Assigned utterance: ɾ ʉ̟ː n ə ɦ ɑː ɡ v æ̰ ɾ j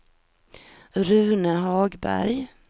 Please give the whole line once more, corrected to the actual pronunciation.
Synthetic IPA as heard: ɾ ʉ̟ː n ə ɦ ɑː ɡ b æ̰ ɾ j

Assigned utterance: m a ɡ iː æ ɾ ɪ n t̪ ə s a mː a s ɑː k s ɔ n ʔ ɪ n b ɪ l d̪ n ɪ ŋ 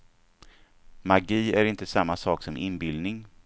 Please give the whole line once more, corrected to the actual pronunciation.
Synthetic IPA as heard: m a ɡ iː æ ɾ ɪ n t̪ ə s a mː a s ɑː k s ɔ m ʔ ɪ n b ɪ l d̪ n ɪ ŋ

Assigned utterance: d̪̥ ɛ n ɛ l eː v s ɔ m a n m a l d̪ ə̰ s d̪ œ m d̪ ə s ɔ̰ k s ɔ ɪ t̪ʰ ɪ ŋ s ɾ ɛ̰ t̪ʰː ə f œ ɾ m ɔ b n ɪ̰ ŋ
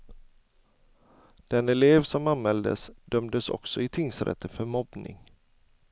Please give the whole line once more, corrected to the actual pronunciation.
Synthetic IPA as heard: d̪̥ ɛ n ɛ l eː v s ɔ m a n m ɛ l d̪ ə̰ s d̪ œ m d̪ ə s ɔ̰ k s ɔ ɪ t̪ʰ ɪ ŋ s ɾ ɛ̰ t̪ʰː ə f œ ɾ m ɔ b n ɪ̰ ŋ

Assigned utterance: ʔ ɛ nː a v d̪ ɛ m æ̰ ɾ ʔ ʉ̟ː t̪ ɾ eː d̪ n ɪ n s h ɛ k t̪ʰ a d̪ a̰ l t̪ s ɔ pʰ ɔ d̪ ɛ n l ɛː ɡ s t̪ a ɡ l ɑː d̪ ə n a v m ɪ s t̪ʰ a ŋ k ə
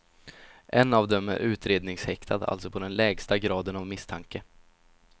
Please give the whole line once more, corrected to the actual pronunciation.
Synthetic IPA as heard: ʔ ɛ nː a v d̪ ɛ m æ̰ ɾ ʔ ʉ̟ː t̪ ɾ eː d̪ n ɪ ŋ s h ɛ k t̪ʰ a d̪ a̰ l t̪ s ɔ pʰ ɔ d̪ ɛ n l ɛː ɡ s t̪ a ɡ ɾ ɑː d̪ ə n a v m ɪ s t̪ʰ a ŋ k ə

